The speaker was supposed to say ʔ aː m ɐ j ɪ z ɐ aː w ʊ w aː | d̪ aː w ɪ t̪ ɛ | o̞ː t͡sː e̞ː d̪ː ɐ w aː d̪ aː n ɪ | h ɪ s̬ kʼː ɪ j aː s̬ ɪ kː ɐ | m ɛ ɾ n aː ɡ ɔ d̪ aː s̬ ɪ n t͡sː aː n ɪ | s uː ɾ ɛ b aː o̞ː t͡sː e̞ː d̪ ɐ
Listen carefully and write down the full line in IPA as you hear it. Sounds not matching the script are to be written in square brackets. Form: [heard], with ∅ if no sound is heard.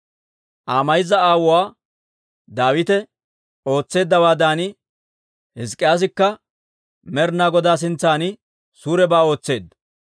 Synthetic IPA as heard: ʔ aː m ɐ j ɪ z ɐ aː w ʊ w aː | d̪ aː w ɪ t̪ ɛ | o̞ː t͡sː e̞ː d̪ː ɐ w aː d̪ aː n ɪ | h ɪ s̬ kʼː ɪ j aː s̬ ɪ kː ɐ | m ɛ ɾ n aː ɡ ɔ d̪ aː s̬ ɪ n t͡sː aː n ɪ | s uː ɾ ɛ b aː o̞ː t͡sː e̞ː d̪ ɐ